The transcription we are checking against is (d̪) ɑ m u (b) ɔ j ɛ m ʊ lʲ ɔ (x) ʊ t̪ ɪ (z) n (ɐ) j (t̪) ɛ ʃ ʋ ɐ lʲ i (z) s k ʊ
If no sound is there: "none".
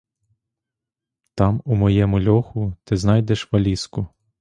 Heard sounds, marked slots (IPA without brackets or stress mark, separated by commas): t̪, m, x, z, ɑ, d̪, none